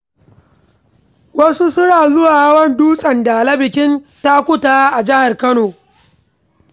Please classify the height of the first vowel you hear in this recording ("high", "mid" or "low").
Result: low